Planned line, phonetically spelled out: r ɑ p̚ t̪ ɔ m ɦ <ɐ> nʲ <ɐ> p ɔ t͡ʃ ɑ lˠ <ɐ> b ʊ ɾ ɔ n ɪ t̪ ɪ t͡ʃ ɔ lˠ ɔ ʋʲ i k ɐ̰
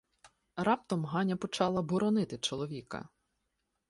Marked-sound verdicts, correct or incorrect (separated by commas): incorrect, correct, correct